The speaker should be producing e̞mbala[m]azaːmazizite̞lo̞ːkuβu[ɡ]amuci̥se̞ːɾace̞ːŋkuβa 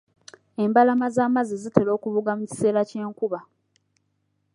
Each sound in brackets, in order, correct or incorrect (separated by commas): correct, correct